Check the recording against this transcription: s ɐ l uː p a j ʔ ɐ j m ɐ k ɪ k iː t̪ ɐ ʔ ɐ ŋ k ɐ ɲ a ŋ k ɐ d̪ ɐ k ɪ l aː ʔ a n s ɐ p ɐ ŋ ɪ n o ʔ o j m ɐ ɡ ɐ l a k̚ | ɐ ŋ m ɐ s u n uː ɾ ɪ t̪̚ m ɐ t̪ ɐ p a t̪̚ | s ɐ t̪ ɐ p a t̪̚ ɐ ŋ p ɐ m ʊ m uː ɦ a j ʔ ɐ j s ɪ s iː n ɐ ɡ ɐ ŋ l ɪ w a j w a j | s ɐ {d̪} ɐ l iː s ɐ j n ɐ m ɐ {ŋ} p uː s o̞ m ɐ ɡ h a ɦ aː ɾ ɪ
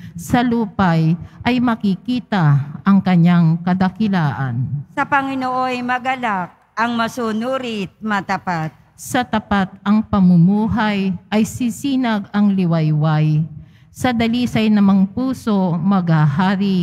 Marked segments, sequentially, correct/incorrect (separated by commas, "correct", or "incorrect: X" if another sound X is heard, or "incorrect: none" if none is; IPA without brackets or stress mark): correct, correct